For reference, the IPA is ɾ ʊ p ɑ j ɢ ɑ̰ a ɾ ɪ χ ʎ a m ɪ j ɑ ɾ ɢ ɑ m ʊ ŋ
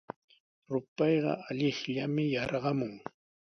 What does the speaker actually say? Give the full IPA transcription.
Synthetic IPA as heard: ɾ ʊ p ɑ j ɢ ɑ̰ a ʎ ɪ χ ʎ a m ɪ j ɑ ɾ ɢ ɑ m ʊ ŋ